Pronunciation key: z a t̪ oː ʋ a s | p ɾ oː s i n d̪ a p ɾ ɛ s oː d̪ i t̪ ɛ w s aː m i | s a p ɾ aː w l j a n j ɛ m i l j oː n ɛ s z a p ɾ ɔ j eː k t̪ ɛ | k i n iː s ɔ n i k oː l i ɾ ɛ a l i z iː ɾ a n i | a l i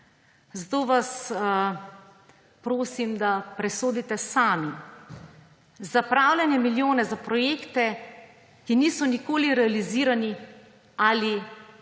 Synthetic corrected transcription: z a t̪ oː ʋ a s | p ɾ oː s i m d̪ a p ɾ ɛ s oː d̪ i t̪ ɛ s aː m i | z a p ɾ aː w l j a n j ɛ m i l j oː n ɛ z a p ɾ ɔ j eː k t̪ ɛ | k i n iː s ɔ n i k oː l i ɾ ɛ a l i z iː ɾ a n i | a l i

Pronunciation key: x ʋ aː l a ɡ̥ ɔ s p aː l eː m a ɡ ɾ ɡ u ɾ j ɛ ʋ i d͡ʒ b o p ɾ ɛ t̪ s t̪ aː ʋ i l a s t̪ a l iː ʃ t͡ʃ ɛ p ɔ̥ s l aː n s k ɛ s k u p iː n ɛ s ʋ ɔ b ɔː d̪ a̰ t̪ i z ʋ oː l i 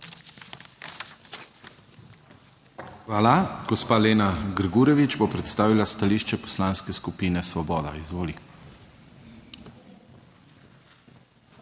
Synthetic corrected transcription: x ʋ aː l a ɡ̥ ɔ s p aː l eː n a ɡ ɾ ɡ u ɾ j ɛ ʋ i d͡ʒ b o p ɾ ɛ t̪ s t̪ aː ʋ i l a s t̪ a l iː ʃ t͡ʃ ɛ p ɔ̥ s l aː n s k ɛ s k u p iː n ɛ s ʋ ɔ b ɔː d̪ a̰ i z ʋ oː l i

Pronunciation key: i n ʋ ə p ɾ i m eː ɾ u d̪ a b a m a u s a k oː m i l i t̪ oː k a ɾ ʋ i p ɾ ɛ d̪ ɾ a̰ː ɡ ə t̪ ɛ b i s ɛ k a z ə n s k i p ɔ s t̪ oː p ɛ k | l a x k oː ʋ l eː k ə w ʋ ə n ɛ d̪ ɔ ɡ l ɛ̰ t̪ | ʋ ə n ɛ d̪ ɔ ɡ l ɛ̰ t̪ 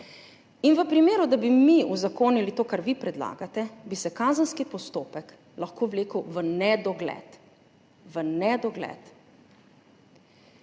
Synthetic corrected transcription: i n ʋ ə p ɾ i m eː ɾ u d̪ a b i m i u z a k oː n i l i t̪ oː k a ɾ ʋ i p ɾ ɛ d̪ l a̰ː ɡ a t̪ ɛ b i s ɛ k a z ə n s k i p ɔ s t̪ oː p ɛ k | l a x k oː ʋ l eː k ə w ʋ ə n ɛ d̪ ɔ ɡ l ɛ̰ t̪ | ʋ ə n ɛ d̪ ɔ ɡ l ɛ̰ t̪

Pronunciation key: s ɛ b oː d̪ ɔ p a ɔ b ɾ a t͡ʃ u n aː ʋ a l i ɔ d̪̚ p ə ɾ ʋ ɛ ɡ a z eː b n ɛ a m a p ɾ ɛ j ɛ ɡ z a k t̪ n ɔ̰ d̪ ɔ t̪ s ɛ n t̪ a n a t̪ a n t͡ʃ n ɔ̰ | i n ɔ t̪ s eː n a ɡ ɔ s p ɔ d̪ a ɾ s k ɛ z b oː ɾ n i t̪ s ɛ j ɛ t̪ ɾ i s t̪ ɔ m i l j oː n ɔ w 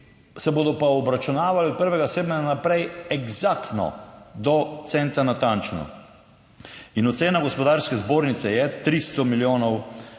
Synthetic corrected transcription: s ɛ b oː d̪ ɔ p a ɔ b ɾ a t͡ʃ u n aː ʋ a l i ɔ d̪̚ p ə ɾ ʋ ɛ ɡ a s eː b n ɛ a n a p ɾ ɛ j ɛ ɡ z a k t̪ n ɔ̰ d̪ ɔ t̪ s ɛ n t̪ a n a t̪ a n t͡ʃ n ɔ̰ | i n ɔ t̪ s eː n a ɡ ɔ s p ɔ d̪ a ɾ s k ɛ z b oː ɾ n i t̪ s ɛ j ɛ t̪ ɾ i s t̪ ɔ m i l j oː n ɔ w

